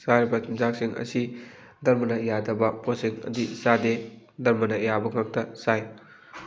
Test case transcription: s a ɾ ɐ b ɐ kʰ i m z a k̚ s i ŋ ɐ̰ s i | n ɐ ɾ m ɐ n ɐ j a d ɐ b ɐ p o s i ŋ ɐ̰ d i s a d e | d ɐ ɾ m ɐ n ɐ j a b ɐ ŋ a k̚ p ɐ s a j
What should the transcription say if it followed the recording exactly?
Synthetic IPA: s a ɾ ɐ b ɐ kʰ i m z a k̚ s i ŋ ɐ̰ s i | d ɐ ɾ m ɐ n ɐ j a d ɐ b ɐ p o s i ŋ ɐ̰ d i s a d e | d ɐ ɾ m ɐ n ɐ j a b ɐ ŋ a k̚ t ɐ s a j